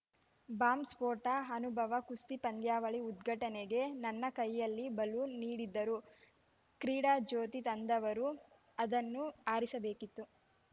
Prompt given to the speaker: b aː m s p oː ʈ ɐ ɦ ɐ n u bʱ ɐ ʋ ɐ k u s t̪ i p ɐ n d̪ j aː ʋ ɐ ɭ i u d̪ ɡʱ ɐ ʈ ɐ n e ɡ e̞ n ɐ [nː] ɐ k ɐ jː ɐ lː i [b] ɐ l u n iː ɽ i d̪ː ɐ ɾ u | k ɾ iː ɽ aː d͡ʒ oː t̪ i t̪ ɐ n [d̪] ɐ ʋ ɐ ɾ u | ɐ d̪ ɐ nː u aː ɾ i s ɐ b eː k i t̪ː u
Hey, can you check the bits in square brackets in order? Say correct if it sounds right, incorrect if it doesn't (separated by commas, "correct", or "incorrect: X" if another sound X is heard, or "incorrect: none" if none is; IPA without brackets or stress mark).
correct, correct, correct